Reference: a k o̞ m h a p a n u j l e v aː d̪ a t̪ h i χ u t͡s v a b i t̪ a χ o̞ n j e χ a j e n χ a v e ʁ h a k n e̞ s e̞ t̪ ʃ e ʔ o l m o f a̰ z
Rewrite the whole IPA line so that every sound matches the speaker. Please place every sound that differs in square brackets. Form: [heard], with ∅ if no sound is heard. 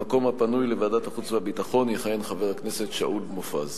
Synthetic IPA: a k o̞ m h a p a n u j l e v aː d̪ a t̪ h [a] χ u t͡s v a b i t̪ a χ o̞ n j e χ a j e n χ a v e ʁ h a k n e̞ s e̞ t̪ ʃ [a] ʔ [u] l m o f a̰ z